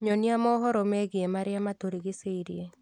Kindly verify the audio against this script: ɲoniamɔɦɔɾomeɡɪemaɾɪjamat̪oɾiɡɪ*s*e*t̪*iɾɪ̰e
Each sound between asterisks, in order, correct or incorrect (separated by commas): correct, incorrect